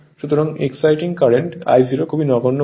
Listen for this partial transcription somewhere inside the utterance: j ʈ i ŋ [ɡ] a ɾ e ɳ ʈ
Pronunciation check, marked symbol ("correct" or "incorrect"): incorrect